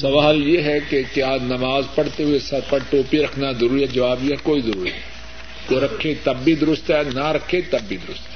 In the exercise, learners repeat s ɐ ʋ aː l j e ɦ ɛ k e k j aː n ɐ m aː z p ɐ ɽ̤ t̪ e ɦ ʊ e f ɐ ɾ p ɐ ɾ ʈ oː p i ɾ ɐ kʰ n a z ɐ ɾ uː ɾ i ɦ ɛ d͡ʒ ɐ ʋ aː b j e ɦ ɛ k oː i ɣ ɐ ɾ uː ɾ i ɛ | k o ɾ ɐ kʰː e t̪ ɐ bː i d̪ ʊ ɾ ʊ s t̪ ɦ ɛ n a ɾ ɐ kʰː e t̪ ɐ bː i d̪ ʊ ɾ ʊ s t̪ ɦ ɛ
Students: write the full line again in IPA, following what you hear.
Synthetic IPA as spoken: s ɐ ʋ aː l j e ɦ ɛ k e k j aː n ɐ m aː z p ɐ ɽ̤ t̪ e ɦ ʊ e s ɐ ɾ p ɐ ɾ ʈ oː p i ɾ ɐ kʰ n a z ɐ ɾ uː ɾ i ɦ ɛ d͡ʒ ɐ ʋ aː b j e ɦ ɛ k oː i z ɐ ɾ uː ɾ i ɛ | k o ɾ ɐ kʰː e t̪ ɐ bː i d̪ ʊ ɾ ʊ s t̪ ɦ ɛ n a ɾ ɐ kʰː e t̪ ɐ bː i d̪ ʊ ɾ ʊ s t̪ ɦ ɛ